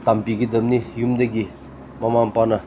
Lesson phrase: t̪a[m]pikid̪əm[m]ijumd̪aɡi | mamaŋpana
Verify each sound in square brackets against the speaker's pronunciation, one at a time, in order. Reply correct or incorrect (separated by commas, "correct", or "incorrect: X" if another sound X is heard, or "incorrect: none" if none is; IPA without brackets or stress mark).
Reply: correct, incorrect: n